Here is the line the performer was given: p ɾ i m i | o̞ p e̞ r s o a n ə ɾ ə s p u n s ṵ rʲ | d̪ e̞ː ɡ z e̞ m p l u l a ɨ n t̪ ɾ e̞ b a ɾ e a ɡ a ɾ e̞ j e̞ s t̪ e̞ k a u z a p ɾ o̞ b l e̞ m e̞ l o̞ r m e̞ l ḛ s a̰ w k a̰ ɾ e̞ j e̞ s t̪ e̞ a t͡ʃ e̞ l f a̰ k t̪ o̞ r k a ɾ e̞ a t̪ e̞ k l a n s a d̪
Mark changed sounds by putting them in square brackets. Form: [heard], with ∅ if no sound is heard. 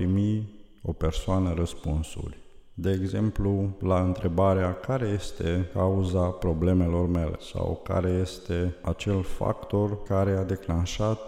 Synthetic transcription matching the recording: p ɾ i m i | o̞ p e̞ r s o a n ə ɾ ə s p u n s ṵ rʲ | d̪ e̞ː ɡ z e̞ m p l u l a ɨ n t̪ ɾ e̞ b a ɾ e a [k] a ɾ e̞ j e̞ s t̪ e̞ k a u z a p ɾ o̞ b l e̞ m e̞ l o̞ r m e̞ l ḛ s a̰ w k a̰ ɾ e̞ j e̞ s t̪ e̞ a t͡ʃ e̞ l f a̰ k t̪ o̞ r k a ɾ e̞ a [d̪] e̞ k l a n [ʃ] a [t̪]